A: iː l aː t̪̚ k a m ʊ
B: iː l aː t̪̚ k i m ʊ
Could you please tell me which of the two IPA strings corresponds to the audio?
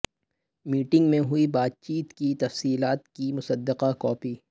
B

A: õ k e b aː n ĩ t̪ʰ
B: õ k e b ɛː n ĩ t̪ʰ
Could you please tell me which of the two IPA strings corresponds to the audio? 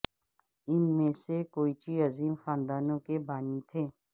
A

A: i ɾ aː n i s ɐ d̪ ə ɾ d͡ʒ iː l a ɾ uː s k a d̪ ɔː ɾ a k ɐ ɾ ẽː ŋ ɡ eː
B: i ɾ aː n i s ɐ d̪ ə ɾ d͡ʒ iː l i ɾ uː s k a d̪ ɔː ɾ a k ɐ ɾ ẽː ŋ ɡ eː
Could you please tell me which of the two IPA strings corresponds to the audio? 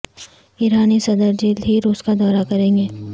B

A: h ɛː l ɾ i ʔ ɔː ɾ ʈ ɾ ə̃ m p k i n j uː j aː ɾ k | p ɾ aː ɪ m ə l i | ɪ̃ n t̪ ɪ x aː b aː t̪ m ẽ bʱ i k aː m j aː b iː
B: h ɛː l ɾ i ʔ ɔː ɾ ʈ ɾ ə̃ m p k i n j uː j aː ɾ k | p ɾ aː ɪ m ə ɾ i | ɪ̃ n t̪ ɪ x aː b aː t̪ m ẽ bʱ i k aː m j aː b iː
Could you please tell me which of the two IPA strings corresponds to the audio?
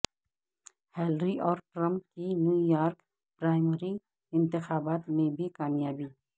B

